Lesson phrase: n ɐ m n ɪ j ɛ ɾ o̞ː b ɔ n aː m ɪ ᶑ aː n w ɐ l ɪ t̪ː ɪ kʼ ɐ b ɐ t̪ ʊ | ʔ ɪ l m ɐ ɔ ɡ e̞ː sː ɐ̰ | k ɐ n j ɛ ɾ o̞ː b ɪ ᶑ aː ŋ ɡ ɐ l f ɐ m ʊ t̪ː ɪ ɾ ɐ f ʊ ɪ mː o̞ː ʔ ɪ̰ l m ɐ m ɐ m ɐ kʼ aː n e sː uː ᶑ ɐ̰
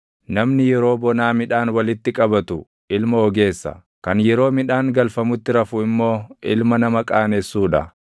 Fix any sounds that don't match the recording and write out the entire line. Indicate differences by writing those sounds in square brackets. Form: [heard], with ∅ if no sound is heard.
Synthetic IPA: n ɐ m n ɪ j ɛ ɾ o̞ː b ɔ n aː m ɪ ᶑ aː n w ɐ l ɪ t̪ː ɪ kʼ ɐ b ɐ t̪ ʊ | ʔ ɪ l m ɐ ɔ ɡ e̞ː sː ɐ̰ | k ɐ n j ɛ ɾ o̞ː [m] ɪ ᶑ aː ŋ ɡ ɐ l f ɐ m ʊ t̪ː ɪ ɾ ɐ f ʊ ɪ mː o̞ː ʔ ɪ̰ l m ɐ [n] ɐ m ɐ kʼ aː n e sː uː ᶑ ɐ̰

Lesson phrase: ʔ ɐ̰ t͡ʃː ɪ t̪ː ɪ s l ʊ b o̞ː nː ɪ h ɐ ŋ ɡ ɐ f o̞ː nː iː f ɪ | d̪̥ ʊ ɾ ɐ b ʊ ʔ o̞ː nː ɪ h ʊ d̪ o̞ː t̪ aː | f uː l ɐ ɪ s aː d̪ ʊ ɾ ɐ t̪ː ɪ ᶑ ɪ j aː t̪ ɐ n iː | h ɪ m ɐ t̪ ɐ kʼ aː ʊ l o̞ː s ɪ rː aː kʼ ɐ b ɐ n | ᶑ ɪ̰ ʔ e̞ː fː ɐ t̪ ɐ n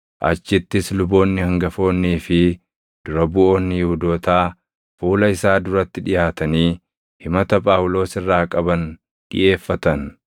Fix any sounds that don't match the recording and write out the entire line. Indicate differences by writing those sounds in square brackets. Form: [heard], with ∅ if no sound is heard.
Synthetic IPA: ʔ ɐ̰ t͡ʃː ɪ t̪ː ɪ s l ʊ b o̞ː nː ɪ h ɐ ŋ ɡ ɐ f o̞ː nː iː f ɪ | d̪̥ ʊ ɾ ɐ b ʊ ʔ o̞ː nː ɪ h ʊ d̪ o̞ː t̪ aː | f uː l ɐ ɪ s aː d̪ ʊ ɾ ɐ t̪ː ɪ ᶑ ɪ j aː t̪ ɐ n iː | h ɪ m ɐ t̪ ɐ [pʼ] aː ʊ l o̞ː s ɪ rː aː kʼ ɐ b ɐ n | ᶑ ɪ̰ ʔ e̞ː fː ɐ t̪ ɐ n

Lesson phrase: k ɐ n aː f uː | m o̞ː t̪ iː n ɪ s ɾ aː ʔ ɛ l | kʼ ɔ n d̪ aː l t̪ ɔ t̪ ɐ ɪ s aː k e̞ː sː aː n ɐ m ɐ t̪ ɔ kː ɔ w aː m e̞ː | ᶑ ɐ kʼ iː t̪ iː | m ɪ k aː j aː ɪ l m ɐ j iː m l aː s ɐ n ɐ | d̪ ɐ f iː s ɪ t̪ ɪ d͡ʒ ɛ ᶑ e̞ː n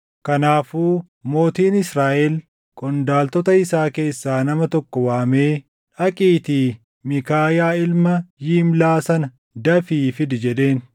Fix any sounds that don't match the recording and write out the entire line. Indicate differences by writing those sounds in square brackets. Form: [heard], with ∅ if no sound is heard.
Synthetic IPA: k ɐ n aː f uː | m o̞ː t̪ iː n ɪ s ɾ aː ʔ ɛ l | kʼ ɔ n d̪ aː l t̪ ɔ t̪ ɐ ɪ s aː k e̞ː sː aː n ɐ m ɐ t̪ ɔ kː ɔ w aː m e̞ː | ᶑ ɐ kʼ iː t̪ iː | m ɪ k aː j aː ɪ l m ɐ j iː m l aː s ɐ n ɐ | d̪ ɐ f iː [f] ɪ [d̪] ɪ d͡ʒ ɛ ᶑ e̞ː n

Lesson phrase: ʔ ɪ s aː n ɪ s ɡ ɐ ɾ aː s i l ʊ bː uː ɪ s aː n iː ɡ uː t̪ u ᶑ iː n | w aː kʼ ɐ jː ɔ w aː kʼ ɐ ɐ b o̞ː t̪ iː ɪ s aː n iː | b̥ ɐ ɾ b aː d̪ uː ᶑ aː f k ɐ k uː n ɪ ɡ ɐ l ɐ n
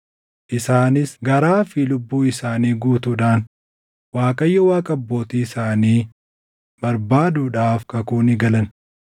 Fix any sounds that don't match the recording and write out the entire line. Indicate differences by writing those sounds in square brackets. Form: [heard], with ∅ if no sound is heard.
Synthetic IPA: ʔ ɪ s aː n ɪ s ɡ ɐ ɾ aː [f] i l ʊ bː uː ɪ s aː n iː ɡ uː t̪ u ᶑ [aː] n | w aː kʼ ɐ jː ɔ w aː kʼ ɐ ɐ [bː] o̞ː t̪ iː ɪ s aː n iː | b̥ ɐ ɾ b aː d̪ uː ᶑ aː f k ɐ k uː n ɪ ɡ ɐ l ɐ n

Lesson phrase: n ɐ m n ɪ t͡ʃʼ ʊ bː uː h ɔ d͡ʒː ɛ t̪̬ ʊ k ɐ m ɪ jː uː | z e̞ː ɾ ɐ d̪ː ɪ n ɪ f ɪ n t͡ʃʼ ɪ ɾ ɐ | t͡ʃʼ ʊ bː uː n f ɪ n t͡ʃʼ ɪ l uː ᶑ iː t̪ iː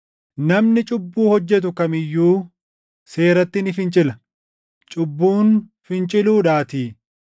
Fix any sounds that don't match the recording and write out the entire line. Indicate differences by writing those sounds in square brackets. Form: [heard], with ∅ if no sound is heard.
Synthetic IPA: n ɐ m n ɪ t͡ʃʼ ʊ bː uː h ɔ d͡ʒː ɛ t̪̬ ʊ k ɐ m ɪ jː uː | [s] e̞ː ɾ ɐ [t̪ː] ɪ n ɪ f ɪ n t͡ʃʼ ɪ [l] ɐ | t͡ʃʼ ʊ bː uː n f ɪ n t͡ʃʼ ɪ l uː ᶑ [aː] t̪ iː

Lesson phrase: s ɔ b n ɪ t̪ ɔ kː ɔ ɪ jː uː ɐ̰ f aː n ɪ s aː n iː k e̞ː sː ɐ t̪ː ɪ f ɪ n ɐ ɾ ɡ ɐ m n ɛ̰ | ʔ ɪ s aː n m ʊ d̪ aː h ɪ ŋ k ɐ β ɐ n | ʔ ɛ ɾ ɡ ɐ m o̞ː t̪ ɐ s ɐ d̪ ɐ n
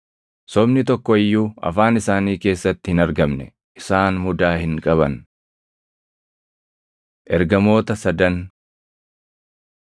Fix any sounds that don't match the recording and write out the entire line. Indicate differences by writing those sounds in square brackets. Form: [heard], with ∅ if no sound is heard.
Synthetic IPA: s ɔ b n ɪ t̪ ɔ kː ɔ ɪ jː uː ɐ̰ f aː n ɪ s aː n iː k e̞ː sː ɐ t̪ː ɪ [h] ɪ n ɐ ɾ ɡ ɐ m n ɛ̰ | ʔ ɪ s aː n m ʊ d̪ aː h ɪ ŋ [kʼ] ɐ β ɐ n | ʔ ɛ ɾ ɡ ɐ m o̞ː t̪ ɐ s ɐ d̪ ɐ n

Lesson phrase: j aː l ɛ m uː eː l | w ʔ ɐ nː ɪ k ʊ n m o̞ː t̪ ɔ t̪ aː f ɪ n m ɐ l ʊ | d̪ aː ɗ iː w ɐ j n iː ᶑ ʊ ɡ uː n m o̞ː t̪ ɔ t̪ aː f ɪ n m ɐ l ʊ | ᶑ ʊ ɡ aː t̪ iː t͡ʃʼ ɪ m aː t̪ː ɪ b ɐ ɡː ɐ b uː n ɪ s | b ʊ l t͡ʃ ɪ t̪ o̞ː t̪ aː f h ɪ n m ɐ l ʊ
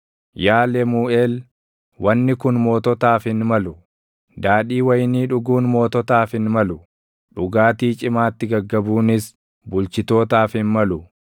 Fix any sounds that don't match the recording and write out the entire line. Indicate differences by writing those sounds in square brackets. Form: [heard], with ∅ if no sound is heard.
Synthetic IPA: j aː l ɛ m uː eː l | w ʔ ɐ nː ɪ k ʊ n m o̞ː t̪ ɔ t̪ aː f ɪ n m ɐ l ʊ | d̪ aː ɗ iː w ɐ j n iː ᶑ ʊ ɡ uː n m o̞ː t̪ ɔ t̪ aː f ɪ n m ɐ l ʊ | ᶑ ʊ ɡ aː t̪ iː t͡ʃʼ ɪ m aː t̪ː ɪ [ɡ] ɐ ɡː ɐ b uː n ɪ s | b ʊ l t͡ʃ ɪ t̪ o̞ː t̪ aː f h ɪ n m ɐ l ʊ

